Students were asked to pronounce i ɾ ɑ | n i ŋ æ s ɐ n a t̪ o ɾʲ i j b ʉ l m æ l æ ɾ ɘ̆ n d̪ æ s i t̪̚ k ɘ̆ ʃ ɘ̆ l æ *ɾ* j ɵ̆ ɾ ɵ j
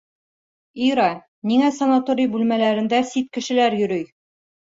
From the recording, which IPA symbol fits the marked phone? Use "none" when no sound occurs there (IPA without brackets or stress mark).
ɾ